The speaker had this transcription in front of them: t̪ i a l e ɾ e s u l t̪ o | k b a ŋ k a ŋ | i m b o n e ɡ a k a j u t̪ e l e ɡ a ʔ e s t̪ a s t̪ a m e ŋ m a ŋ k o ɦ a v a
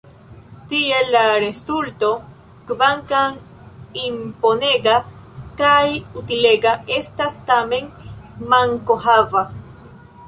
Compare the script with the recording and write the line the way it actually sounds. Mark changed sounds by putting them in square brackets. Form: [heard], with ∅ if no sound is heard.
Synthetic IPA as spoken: t̪ i [e] l [a] ɾ e s u l t̪ o | k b a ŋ k a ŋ | i m [p] o n e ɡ a k a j u t̪ [i] l e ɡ a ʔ e s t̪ a s t̪ a m e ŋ m a ŋ k o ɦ a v a